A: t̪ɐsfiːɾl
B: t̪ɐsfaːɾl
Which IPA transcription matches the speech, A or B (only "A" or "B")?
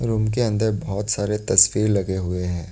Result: A